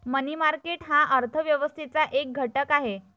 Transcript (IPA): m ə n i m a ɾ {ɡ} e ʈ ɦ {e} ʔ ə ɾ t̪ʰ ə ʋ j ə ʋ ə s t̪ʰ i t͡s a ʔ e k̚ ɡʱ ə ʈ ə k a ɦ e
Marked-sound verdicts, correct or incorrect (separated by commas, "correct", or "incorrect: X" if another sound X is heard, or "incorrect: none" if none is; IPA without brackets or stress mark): incorrect: k, incorrect: a